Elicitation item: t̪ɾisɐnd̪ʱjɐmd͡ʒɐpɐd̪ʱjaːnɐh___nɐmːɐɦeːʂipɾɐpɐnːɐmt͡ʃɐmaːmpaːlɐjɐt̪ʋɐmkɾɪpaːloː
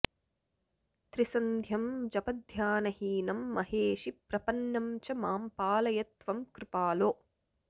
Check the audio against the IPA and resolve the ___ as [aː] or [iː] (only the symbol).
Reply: iː